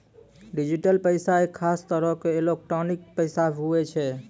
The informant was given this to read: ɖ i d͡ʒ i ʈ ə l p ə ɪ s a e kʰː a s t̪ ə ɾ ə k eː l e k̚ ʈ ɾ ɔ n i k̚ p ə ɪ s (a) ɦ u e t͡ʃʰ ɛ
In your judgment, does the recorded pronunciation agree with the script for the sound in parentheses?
yes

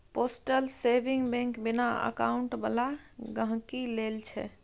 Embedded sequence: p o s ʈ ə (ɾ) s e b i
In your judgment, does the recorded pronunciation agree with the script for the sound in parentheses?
no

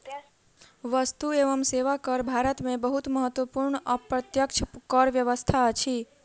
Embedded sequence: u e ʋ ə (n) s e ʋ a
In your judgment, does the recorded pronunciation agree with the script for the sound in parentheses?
no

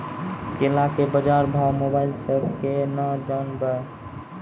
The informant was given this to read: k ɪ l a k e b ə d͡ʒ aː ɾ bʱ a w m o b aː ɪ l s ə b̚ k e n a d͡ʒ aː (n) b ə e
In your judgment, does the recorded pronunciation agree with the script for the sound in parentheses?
yes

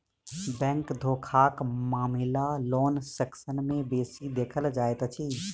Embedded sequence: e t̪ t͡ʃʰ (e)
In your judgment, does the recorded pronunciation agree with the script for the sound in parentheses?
no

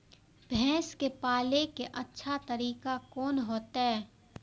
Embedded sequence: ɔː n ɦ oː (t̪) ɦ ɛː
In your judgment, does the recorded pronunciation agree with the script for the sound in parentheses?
yes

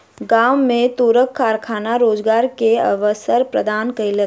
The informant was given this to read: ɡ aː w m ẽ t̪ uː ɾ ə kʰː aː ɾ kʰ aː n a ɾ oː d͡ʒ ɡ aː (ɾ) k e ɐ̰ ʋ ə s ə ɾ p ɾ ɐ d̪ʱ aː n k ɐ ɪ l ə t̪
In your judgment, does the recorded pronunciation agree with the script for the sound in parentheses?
yes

